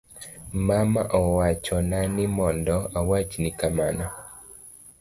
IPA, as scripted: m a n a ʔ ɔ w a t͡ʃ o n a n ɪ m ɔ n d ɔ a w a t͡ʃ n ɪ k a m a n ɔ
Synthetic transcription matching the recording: m a m a ʔ ɔ w a t͡ʃ ɔ n a n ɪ m ɔ n d ɔ a w a t͡ʃ n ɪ k a m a n ɔ